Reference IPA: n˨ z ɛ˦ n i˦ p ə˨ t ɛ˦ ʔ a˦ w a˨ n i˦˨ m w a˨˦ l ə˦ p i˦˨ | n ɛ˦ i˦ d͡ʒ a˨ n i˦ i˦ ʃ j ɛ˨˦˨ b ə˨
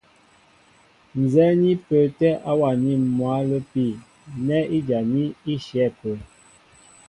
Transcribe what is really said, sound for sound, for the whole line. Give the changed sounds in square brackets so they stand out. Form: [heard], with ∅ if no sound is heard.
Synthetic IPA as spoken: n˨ z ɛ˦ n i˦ p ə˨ t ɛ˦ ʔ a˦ w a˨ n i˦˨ m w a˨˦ l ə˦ p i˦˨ | n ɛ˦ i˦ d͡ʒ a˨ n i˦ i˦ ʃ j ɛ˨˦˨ [p] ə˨

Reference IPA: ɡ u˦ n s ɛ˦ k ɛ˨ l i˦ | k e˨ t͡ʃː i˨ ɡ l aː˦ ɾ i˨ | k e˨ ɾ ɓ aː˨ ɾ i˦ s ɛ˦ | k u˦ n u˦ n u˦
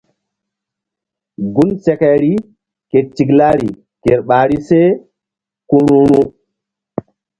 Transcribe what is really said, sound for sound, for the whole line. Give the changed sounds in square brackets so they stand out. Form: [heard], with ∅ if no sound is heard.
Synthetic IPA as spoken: ɡ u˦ n s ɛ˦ k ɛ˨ [ɾ] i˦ | k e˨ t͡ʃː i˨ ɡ l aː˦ ɾ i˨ | k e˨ ɾ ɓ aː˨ ɾ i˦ s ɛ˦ | k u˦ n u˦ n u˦

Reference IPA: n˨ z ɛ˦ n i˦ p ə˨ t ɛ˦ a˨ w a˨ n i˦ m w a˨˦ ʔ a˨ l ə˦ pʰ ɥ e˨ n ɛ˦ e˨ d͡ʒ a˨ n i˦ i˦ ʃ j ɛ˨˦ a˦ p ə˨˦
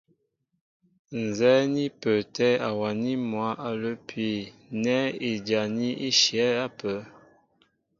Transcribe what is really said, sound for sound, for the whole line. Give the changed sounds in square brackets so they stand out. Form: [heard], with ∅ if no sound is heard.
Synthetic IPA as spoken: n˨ z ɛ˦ n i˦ p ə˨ t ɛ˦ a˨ w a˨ n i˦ m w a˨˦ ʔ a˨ l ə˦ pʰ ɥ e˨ n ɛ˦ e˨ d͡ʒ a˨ n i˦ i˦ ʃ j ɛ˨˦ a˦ p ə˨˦

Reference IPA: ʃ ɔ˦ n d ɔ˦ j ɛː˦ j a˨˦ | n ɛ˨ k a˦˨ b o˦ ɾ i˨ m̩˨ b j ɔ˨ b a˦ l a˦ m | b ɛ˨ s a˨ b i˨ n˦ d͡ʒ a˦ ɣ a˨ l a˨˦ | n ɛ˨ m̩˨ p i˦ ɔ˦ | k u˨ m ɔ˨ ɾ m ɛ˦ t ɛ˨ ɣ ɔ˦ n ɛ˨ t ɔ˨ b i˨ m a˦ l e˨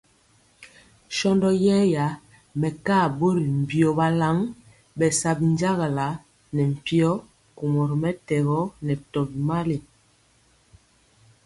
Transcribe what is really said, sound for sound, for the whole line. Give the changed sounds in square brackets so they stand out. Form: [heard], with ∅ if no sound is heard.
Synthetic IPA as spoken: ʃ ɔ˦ n d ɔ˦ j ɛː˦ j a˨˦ | [m] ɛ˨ k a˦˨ b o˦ ɾ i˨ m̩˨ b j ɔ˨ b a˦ l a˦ [ŋ] | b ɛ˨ s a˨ b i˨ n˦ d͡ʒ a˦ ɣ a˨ l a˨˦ | n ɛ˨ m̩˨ p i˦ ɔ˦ | k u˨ m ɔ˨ ɾ m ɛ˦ t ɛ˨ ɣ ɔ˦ n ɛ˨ t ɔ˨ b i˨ m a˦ l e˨

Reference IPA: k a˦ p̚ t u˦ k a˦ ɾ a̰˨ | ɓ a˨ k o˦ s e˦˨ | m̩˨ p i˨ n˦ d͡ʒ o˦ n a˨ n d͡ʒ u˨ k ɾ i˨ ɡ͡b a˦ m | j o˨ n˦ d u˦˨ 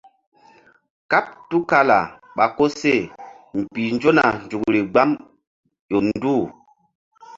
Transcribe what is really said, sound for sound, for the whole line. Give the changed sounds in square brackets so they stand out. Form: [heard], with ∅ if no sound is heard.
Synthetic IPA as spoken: k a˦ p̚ t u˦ k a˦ [l] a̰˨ | ɓ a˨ k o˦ s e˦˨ | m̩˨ p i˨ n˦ d͡ʒ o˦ n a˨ n d͡ʒ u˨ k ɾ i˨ ɡ͡b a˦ m | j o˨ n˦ d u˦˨

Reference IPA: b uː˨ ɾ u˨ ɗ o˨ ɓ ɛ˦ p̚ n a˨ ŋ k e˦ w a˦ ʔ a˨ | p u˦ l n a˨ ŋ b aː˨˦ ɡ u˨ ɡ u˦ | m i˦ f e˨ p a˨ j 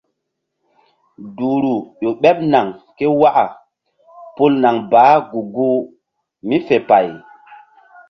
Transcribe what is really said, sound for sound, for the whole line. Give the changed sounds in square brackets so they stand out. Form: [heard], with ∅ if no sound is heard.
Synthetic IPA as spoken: [d] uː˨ ɾ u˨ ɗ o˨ ɓ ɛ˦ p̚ n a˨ ŋ k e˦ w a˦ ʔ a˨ | p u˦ l n a˨ ŋ b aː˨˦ ɡ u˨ ɡ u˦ | m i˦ f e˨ p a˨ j

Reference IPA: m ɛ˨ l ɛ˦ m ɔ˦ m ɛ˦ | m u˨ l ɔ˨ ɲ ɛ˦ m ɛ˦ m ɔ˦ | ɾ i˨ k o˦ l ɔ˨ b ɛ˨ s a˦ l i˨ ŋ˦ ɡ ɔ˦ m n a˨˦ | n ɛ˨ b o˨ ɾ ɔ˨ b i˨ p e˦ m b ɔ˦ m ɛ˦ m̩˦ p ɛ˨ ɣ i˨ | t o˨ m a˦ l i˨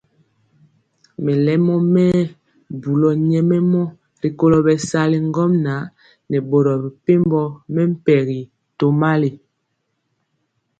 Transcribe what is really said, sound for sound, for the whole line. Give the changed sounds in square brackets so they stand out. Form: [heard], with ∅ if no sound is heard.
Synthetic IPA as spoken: m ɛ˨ l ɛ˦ m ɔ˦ m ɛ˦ | [b] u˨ l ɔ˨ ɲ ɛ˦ m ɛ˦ m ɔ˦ | ɾ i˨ k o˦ l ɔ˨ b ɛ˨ s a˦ l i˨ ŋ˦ ɡ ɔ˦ m n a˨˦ | n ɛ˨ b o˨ ɾ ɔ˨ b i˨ p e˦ m b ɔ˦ m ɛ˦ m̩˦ p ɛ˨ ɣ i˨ | t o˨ m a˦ l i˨

